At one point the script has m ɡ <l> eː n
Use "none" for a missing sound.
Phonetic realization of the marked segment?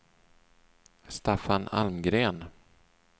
ɾ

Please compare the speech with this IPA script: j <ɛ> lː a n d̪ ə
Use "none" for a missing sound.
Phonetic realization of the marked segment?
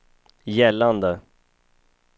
ɛ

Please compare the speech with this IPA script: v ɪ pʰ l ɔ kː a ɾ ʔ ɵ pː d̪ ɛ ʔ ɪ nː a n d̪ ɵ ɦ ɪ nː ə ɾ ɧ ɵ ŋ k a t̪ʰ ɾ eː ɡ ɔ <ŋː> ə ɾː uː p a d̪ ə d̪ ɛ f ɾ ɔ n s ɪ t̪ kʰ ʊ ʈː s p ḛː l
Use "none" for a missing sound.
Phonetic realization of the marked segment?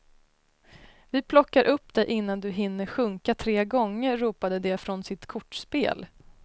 ŋː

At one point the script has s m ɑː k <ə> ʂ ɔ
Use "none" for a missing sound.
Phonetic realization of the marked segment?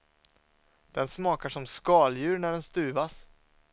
a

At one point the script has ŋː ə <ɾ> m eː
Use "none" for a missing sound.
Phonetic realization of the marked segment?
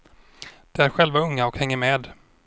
ɾ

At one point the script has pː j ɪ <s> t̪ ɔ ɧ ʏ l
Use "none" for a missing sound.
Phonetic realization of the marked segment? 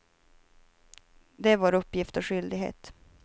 f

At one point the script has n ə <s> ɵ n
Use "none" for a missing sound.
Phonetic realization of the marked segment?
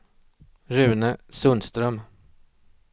s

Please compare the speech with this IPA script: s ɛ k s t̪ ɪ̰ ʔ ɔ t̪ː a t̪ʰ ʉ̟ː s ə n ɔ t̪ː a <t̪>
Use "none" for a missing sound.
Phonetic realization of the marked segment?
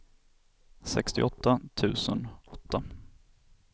none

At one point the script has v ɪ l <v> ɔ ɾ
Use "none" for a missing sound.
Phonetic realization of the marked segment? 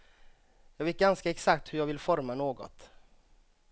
f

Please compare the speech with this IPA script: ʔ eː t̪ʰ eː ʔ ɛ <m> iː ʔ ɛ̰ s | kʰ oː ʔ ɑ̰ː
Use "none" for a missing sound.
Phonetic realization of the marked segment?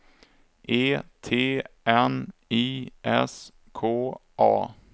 n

